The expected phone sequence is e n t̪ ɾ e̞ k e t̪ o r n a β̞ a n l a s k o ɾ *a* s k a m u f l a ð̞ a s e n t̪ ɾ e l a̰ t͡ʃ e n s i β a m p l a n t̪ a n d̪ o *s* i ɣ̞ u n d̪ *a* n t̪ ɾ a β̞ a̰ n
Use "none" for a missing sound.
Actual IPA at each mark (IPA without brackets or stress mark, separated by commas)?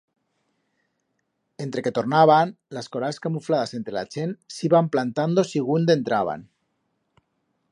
a, s, e